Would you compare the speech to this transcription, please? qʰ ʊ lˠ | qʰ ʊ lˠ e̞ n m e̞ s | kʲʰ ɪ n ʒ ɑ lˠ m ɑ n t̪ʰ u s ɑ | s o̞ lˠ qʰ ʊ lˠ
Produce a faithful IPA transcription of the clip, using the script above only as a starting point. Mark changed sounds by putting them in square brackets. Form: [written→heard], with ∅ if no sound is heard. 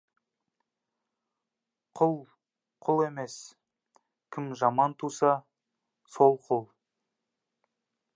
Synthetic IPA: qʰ ʊ lˠ | qʰ ʊ lˠ e̞ [n→∅] m e̞ s | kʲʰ ɪ [n→m] ʒ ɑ [lˠ→∅] m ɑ n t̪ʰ u s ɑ | s o̞ lˠ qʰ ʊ lˠ